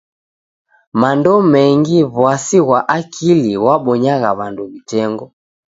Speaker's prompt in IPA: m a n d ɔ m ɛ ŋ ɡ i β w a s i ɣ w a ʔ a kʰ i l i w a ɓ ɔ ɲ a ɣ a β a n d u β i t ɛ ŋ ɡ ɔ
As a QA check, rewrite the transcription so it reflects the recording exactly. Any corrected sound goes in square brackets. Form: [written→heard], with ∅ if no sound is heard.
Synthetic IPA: m a n d ɔ m ɛ ŋ ɡ i β w a s i ɣ w a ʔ a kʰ i l i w a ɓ ɔ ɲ a ɣ a β a n d u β i t ɛ ŋ ɡ ɔ

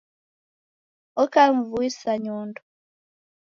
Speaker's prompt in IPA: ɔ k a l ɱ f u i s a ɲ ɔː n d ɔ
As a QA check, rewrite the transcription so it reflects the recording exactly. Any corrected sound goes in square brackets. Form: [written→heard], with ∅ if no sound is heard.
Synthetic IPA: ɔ k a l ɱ [f→v] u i s a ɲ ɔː n d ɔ

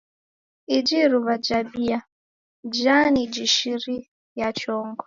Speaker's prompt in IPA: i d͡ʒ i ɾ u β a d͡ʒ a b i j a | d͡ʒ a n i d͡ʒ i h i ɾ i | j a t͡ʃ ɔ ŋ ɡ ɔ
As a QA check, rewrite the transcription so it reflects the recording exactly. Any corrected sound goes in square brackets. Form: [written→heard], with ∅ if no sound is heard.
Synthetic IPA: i d͡ʒ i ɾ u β a d͡ʒ a b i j a | d͡ʒ a n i d͡ʒ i [h→ʃ] i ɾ i | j a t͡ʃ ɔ ŋ ɡ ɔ

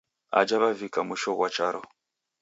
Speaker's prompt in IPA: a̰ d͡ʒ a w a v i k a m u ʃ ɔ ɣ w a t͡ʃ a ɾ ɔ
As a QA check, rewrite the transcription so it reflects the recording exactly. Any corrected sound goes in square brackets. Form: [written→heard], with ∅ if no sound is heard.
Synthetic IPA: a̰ d͡ʒ a [w→β] a v i k a m u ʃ ɔ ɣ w a t͡ʃ a ɾ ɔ

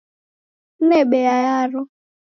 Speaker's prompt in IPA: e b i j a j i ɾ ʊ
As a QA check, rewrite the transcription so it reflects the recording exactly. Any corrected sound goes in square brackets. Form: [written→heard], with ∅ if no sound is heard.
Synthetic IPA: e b [i→e] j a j [i→a] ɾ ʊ

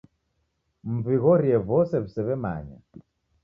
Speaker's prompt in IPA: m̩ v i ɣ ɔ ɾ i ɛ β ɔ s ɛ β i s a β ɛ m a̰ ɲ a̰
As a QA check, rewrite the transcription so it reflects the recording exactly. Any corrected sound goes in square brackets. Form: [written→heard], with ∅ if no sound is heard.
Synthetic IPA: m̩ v i ɣ ɔ ɾ i ɛ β ɔ s ɛ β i s [a→ɛ] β ɛ m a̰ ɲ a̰

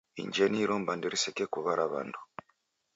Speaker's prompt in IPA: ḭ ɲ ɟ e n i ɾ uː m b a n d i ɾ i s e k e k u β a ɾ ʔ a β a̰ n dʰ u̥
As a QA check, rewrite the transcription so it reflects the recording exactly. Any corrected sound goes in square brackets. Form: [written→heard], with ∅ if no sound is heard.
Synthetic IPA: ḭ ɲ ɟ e n i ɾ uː m b a n d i ɾ i s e k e k u β a ɾ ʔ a β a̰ n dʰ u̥

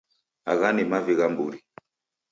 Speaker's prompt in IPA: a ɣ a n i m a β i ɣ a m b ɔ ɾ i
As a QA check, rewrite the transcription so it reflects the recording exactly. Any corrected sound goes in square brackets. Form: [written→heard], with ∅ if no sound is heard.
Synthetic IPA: a ɣ a n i m a [β→v] i ɣ a m b [ɔ→u] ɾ i

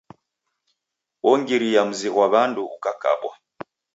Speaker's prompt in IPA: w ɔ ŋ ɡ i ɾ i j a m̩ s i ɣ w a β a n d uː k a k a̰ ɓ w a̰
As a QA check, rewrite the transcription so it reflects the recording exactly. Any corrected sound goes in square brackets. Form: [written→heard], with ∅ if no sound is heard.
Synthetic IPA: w ɔ ŋ ɡ i ɾ i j a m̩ [s→z] i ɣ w a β a n d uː k a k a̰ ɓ w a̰

